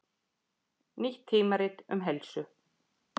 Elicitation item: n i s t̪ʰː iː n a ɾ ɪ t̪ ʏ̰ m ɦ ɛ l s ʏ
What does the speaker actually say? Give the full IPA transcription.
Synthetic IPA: n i h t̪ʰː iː m a ɾ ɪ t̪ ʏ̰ m ɦ ɛ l s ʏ

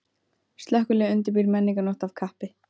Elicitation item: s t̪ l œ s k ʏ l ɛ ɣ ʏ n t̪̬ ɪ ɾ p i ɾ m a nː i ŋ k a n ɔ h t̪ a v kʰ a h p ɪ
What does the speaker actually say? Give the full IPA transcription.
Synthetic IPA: s t̪ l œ h k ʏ l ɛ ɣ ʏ n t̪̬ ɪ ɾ p i ɾ m ɛ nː i ŋ k a n ɔ h t̪ a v kʰ a h p ɪ

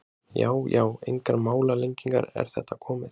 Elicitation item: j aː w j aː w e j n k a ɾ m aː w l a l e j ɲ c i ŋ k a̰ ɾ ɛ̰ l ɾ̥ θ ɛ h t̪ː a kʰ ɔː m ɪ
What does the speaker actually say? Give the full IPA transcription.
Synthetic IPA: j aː w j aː w e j ŋ k a ɾ m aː w l a l e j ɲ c i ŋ k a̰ ɾ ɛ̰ ɾ̥ θ ɛ h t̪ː a kʰ ɔː m ɪ

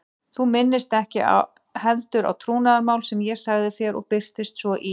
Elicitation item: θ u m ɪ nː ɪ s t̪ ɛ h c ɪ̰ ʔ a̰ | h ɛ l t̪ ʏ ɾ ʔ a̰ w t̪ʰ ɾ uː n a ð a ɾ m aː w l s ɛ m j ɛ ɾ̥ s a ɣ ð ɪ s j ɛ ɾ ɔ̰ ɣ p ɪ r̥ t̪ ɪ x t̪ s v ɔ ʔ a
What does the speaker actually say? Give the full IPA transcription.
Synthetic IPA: θ u m ɪ nː ɪ s t̪ ɛ h c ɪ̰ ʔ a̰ | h ɛ l t̪ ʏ ɾ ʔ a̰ w t̪ʰ ɾ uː n a ð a ɾ m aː w l s ɛ m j ɛ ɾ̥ s a ɣ ð ɪ θ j ɛ ɾ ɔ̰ ɣ p ɪ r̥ t̪ ɪ s t̪ s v ɔ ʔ i

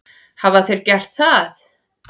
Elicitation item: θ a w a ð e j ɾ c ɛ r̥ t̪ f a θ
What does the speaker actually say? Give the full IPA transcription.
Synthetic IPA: h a v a θ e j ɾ c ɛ r̥ t̪ θ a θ

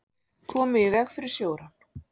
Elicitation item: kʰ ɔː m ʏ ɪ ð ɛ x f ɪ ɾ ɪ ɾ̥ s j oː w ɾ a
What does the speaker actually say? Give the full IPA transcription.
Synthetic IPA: kʰ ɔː m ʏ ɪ v ɛ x f ɪ ɾ ɪ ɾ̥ s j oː w ɾ a

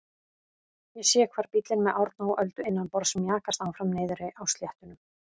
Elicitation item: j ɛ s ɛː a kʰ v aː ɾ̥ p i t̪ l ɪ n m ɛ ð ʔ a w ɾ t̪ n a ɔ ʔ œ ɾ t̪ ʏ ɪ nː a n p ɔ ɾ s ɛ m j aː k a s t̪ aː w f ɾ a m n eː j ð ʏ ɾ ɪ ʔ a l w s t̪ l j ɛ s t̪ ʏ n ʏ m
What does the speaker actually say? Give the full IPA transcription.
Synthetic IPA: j ɛ s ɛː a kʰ v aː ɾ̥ p i t̪ l ɪ n m ɛ ð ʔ a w ɾ t̪ n a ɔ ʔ œ l t̪ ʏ ɪ nː a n p ɔ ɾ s ɛ m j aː k a s t̪ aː w f ɾ a m n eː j ð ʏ ɾ ɪ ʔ a w s t̪ l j ɛ h t̪ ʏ n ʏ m

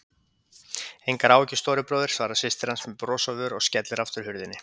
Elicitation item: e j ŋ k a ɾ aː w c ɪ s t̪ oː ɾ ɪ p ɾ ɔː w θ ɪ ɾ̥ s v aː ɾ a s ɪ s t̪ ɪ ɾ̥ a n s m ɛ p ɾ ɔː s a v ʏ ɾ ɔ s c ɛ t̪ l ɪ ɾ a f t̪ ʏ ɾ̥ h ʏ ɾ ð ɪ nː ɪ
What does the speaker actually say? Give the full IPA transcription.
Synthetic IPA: e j ŋ k a ɾ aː w c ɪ s t̪ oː ɾ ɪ p ɾ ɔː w ð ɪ ɾ̥ s v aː ɾ a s ɪ s t̪ ɪ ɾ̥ a n s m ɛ p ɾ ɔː s a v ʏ ɾ ɔ s c ɛ t̪ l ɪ ɾ a f t̪ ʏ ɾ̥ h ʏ ɾ ð ɪ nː ɪ

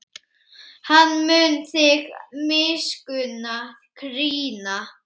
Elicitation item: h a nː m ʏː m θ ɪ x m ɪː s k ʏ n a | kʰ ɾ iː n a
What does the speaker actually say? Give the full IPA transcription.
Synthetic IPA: h a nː m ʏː n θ ɪ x m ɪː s k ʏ n a | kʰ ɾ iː n a

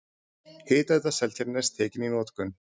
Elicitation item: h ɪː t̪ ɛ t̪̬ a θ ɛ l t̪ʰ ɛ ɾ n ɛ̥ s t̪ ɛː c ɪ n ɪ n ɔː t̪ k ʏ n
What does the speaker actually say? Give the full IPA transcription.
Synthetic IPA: h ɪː t̪ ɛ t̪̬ a s ɛ l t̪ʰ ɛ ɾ n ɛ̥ s t̪ʰ ɛː c ɪ n i n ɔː t̪ k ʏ n

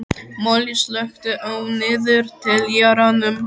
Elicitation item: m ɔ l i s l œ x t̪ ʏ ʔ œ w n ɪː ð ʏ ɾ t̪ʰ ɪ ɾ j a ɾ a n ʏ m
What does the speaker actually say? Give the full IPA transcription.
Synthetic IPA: m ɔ l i s l œ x t̪ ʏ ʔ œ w n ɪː ð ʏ ɾ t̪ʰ ɪ l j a ɾ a n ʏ m

